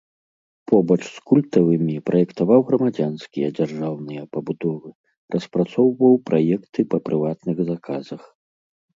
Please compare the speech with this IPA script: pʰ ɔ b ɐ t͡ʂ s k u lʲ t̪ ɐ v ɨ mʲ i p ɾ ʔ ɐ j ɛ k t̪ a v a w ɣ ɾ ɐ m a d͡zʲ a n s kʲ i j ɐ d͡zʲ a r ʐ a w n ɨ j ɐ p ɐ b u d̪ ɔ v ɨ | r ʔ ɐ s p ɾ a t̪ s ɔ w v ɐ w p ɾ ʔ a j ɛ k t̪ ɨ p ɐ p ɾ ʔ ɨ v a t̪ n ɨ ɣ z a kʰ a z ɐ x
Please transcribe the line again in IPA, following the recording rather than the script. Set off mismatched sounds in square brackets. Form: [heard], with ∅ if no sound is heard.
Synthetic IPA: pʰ ɔ b ɐ t͡ʂ s k u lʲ t̪ ɐ v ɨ mʲ i p ɾ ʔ ɐ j ɛ k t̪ a v a w ɣ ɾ ɐ m a d͡zʲ a n s kʲ i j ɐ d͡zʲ a r ʐ a w n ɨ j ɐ p ɐ b u d̪ ɔ v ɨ | r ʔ ɐ s p ɾ a t̪ s ɔ w v ɐ w p ɾ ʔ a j ɛ k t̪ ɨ p ɐ p ɾ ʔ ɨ v a t̪ n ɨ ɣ z a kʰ a z ɐ x